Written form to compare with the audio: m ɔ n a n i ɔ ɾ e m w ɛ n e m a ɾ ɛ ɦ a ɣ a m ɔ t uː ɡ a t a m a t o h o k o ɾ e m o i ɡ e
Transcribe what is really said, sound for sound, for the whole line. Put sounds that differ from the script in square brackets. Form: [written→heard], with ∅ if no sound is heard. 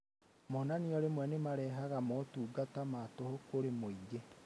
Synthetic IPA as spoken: m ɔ n a n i ɔ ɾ e m w ɛ n e m a ɾ ɛ ɦ a ɣ a m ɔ t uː ɡ a t a m a t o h o k o ɾ e m o i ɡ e